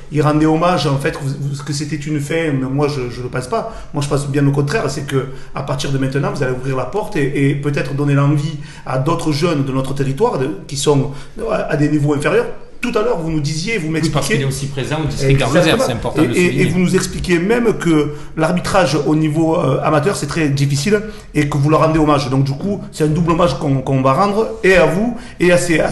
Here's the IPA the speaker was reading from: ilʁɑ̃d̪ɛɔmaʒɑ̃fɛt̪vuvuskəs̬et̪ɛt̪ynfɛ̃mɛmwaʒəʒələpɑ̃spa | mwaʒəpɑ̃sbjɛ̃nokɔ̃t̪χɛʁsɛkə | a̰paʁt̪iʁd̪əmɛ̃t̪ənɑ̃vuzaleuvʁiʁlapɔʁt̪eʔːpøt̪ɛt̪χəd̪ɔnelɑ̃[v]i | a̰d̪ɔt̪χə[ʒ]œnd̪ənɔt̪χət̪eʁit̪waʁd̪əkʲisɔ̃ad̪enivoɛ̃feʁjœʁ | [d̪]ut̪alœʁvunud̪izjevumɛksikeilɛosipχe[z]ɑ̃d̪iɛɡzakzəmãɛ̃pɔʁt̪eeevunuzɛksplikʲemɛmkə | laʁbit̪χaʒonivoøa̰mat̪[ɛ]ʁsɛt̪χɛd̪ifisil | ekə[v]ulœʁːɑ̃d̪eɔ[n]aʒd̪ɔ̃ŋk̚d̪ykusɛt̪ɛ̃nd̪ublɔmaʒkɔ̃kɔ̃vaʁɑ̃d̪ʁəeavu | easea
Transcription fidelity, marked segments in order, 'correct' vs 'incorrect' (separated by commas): correct, correct, incorrect, correct, incorrect, correct, incorrect